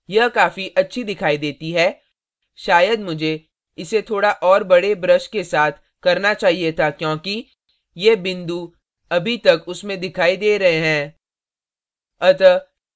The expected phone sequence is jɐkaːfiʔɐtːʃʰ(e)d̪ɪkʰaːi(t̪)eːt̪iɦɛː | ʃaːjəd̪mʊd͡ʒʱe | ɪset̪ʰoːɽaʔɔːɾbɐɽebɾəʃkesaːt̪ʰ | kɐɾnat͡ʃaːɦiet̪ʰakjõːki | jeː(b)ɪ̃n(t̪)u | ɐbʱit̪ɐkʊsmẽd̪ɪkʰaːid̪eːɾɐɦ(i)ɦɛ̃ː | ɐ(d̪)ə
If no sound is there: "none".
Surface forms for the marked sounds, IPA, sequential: i, d̪, b, d̪, e, t̪

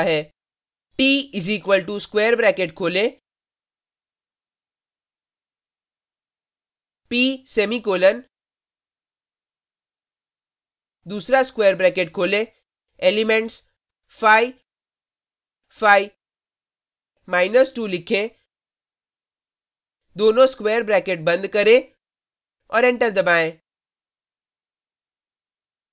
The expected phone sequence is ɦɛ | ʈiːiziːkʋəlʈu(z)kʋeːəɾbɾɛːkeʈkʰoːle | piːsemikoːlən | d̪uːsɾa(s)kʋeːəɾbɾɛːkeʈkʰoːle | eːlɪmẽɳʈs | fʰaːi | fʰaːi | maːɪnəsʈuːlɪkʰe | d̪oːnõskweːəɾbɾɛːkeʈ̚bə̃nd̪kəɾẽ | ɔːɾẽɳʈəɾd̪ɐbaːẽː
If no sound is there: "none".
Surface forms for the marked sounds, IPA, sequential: s, s

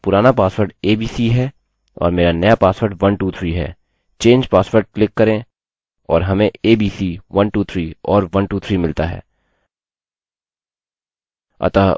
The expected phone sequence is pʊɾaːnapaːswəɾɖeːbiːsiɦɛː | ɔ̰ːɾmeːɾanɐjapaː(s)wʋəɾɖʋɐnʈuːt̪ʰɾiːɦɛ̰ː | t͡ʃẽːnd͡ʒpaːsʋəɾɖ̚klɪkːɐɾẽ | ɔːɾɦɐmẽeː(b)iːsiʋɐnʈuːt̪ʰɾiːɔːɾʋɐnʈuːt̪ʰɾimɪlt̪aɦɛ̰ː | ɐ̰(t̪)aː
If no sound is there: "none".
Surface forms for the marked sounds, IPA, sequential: s, b, t̪

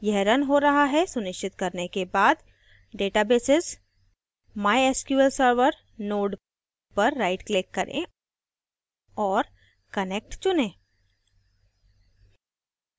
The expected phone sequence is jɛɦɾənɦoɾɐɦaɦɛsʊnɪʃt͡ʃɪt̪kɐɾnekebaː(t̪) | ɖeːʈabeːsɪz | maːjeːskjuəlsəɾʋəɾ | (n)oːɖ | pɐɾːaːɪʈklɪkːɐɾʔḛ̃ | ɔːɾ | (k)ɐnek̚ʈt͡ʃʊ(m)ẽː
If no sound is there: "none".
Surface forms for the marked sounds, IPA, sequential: d̪, n, k, n

